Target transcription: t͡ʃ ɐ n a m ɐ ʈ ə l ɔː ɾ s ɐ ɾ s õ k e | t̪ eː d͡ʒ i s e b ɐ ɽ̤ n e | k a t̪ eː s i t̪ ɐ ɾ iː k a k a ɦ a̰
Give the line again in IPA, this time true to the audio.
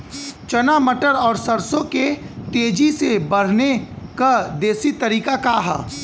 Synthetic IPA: t͡ʃ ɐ n a m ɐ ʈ ə ɾ ɔː ɾ s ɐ ɾ s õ k e | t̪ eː d͡ʒ i s e b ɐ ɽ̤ n e | k a d̪ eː s i t̪ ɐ ɾ iː k a k a ɦ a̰